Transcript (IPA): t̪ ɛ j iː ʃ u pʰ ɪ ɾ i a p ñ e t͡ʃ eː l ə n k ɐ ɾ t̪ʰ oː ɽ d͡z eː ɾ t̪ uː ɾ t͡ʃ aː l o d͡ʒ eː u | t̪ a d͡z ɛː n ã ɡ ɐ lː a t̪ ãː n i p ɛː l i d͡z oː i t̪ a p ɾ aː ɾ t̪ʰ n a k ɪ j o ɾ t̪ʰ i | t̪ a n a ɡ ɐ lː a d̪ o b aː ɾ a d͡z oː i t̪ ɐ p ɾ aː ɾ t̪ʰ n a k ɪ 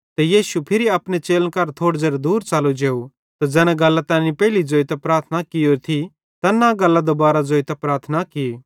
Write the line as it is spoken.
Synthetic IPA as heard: t̪ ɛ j iː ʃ u pʰ ɪ ɾ i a p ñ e t͡ʃ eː l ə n k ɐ ɾ t̪ʰ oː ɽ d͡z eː ɾ d̪ uː ɾ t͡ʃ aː l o d͡ʒ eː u | t̪ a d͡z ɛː n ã ɡ ɐ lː a t̪ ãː n i p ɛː l i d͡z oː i t̪ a p ɾ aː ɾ t̪ʰ n a k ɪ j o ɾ t̪ʰ i | t̪ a n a ɡ ɐ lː a d̪ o b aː ɾ a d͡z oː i t̪ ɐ p ɾ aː ɾ t̪ʰ n a k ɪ